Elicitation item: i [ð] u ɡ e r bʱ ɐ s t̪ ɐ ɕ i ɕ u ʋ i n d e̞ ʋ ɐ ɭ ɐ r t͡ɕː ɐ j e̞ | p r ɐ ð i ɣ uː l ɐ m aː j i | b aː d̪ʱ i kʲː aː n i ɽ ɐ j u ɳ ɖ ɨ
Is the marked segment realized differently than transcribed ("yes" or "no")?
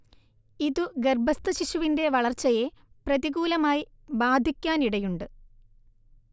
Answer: no